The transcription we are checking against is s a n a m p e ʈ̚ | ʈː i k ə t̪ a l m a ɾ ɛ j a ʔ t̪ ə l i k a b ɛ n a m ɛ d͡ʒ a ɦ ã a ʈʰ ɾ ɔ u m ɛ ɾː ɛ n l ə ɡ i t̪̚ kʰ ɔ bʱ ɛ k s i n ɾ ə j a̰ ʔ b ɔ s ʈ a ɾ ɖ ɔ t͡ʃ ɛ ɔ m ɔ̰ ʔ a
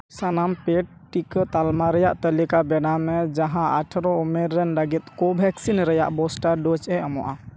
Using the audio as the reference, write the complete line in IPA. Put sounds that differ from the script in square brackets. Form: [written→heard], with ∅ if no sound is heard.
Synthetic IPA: s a n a m p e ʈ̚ | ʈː i k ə t̪ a l m a ɾ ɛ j a ʔ t̪ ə l i k a b ɛ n a m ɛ d͡ʒ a ɦ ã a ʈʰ ɾ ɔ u m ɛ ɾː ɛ n l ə ɡ i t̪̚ [kʰ→k] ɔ bʱ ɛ k s i n ɾ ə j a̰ ʔ b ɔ s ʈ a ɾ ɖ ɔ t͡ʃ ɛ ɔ m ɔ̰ ʔ a